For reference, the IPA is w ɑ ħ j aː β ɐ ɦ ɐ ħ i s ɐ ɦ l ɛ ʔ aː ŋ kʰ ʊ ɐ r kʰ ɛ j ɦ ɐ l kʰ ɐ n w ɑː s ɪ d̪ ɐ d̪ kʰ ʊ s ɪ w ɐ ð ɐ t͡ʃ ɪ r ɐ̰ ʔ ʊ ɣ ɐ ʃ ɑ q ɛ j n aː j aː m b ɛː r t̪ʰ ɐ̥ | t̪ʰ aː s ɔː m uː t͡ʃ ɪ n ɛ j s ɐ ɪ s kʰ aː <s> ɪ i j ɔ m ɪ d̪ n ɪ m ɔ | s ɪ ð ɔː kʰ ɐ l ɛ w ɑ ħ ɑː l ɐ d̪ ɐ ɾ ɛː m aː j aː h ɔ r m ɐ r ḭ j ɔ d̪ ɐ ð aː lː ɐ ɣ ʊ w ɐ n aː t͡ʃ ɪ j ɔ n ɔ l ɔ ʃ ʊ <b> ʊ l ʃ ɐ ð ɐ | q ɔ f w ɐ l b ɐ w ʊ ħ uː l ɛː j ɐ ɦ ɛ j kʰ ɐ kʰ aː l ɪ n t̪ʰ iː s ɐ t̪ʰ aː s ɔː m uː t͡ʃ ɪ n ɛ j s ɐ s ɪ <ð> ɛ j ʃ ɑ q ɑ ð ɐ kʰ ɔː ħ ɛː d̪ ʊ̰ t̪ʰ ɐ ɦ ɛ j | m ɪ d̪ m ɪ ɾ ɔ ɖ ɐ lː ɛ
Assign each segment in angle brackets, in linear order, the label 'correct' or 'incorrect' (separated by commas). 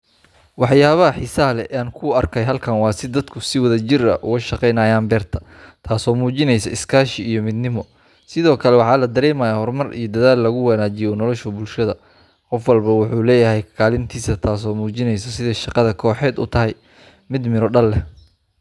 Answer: incorrect, correct, correct